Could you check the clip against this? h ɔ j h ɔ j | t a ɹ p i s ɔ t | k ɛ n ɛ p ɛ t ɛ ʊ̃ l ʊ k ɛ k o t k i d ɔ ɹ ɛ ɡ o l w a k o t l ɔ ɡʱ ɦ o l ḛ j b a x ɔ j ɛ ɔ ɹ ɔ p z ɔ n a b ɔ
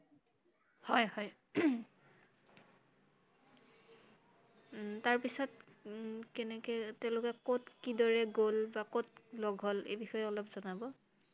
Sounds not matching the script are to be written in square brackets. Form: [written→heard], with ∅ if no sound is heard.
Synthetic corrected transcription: h ɔ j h ɔ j | t a ɹ p i s ɔ t | k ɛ n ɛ [p→k] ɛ t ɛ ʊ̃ l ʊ k ɛ k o t k i d ɔ ɹ ɛ ɡ o l [w→b] a k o t l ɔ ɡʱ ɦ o l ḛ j b [a→i] x ɔ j ɛ ɔ [ɹ→l] ɔ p z ɔ n a b ɔ